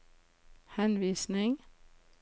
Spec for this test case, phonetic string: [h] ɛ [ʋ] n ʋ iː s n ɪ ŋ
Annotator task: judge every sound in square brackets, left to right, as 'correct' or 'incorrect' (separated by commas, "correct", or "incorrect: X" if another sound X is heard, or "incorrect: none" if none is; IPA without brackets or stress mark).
correct, incorrect: none